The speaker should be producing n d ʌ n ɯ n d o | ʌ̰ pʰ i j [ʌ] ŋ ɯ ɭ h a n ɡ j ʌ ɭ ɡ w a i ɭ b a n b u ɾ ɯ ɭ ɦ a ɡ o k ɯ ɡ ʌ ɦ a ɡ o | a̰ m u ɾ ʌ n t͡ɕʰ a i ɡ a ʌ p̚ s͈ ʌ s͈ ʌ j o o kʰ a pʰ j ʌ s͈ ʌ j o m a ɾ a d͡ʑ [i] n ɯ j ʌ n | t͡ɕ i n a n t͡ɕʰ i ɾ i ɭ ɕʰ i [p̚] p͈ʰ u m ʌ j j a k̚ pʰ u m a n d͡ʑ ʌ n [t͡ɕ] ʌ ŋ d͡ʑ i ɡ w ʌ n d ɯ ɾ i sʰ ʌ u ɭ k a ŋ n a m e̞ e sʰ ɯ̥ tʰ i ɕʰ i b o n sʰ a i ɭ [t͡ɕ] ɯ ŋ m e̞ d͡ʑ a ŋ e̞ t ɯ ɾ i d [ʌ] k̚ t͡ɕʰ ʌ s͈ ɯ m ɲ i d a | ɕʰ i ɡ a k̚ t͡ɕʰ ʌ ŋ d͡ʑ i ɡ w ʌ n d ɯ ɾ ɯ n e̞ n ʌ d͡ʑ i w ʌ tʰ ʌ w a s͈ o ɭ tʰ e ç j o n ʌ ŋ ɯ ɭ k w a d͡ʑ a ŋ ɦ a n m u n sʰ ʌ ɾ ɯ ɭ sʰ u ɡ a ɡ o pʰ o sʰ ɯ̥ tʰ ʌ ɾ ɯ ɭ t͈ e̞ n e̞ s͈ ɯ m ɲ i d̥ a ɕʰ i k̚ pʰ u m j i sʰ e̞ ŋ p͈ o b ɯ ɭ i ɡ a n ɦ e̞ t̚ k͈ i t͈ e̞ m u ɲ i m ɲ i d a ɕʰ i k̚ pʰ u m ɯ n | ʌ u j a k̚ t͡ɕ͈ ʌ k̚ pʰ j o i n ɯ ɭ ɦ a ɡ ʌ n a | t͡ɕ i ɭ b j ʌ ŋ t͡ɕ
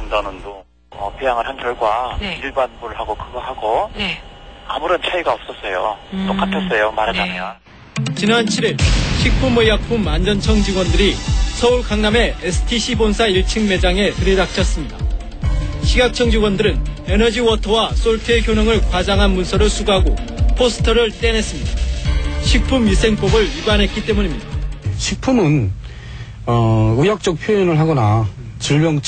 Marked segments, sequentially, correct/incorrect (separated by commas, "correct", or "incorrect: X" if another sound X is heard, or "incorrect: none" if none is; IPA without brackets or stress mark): incorrect: a, incorrect: a, incorrect: k̚, incorrect: t͡ɕʰ, incorrect: t͡ɕʰ, incorrect: a